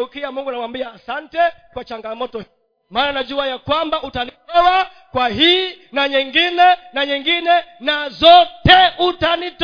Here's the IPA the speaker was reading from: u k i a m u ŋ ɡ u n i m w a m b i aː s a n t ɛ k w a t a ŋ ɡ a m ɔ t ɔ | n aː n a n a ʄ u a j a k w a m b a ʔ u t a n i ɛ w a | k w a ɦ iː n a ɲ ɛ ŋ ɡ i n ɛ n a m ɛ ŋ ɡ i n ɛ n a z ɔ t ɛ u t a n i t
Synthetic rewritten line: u k i a m u ŋ ɡ u n a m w a m b i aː s a n t ɛ k w a t͡ʃ a ŋ ɡ a m ɔ t ɔ | m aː n a n a ʄ u a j a k w a m b a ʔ u t a n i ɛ w a | k w a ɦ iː n a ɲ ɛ ŋ ɡ i n ɛ n a ɲ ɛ ŋ ɡ i n ɛ n a z ɔ t ɛ u t a n i t